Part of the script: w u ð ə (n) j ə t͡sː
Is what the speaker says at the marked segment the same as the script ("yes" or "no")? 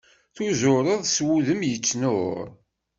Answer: no